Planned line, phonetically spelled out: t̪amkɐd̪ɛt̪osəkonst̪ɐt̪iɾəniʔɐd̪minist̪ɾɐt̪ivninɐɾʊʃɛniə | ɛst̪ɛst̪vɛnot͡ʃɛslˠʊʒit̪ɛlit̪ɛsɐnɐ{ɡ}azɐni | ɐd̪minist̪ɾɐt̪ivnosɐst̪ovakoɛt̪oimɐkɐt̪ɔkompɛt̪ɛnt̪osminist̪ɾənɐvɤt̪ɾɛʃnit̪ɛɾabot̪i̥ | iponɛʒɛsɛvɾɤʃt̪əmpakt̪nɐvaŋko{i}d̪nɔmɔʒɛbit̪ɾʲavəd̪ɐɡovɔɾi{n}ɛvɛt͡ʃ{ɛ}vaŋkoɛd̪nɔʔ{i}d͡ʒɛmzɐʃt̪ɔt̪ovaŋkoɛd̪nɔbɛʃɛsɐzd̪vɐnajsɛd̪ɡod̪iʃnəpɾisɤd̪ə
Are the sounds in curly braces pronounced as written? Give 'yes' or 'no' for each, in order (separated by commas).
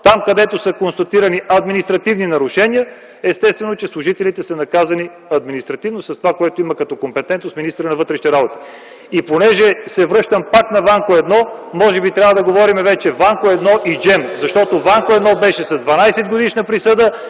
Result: no, no, no, yes, yes